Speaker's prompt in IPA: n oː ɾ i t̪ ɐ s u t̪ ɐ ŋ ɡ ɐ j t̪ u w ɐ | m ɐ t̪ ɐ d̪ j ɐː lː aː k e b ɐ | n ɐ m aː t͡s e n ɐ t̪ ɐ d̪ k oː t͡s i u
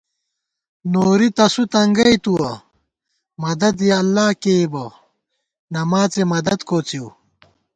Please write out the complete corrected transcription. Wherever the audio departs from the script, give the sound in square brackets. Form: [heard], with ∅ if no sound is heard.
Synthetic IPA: n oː ɾ i t̪ ɐ s u t̪ ɐ ŋ ɡ ɐ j t̪ u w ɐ | m ɐ [d̪] ɐ d̪ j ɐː lː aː k e b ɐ | n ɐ m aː t͡s e [m] ɐ [d̪] ɐ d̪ k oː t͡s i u